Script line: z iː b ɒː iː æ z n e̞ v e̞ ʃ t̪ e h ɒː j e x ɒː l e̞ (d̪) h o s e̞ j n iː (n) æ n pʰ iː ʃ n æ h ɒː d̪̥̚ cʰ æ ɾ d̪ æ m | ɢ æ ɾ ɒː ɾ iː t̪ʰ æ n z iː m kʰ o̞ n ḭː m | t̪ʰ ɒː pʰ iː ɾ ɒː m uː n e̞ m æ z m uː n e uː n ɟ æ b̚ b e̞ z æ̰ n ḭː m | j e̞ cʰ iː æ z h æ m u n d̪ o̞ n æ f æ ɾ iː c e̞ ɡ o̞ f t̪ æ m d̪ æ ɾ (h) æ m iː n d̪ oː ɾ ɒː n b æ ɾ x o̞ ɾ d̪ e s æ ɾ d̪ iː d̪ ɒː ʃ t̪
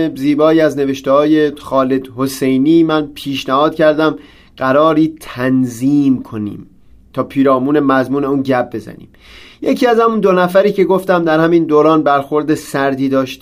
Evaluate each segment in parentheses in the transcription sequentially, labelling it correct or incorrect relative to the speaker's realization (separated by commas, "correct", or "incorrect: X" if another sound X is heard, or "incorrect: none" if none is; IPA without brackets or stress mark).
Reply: correct, incorrect: m, correct